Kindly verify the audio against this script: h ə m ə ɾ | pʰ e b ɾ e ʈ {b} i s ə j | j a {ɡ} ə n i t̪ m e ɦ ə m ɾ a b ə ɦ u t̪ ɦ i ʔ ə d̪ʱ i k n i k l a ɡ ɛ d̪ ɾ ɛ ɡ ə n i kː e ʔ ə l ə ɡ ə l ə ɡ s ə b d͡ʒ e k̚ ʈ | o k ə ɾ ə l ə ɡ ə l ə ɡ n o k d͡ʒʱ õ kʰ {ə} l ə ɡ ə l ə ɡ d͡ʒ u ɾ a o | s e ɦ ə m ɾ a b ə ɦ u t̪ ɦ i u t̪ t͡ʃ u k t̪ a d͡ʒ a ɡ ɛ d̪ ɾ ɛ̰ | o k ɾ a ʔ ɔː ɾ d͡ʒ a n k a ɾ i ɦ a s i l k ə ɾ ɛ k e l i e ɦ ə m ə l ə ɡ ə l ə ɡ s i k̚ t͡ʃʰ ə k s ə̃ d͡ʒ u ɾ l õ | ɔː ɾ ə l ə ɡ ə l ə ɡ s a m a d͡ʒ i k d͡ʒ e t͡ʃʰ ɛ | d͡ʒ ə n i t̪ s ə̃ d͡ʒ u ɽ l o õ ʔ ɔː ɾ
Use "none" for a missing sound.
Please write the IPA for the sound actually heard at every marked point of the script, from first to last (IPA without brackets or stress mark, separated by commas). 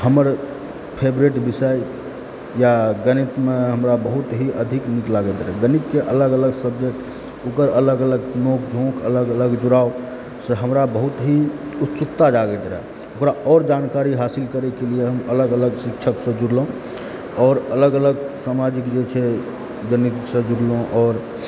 b, ɡ, ə